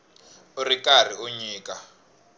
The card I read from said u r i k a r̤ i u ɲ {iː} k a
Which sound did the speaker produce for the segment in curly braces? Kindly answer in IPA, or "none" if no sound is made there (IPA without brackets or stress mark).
iː